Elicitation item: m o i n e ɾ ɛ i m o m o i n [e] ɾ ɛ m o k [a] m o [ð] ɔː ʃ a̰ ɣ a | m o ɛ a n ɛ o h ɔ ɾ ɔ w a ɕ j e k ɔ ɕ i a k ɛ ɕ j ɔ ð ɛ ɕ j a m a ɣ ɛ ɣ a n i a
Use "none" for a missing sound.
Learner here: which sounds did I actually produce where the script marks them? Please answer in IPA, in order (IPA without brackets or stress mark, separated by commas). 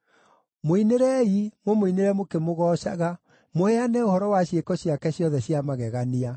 e, e, ɣ